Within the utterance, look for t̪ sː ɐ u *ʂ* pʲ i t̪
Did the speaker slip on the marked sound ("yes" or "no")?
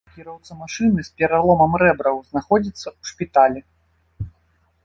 no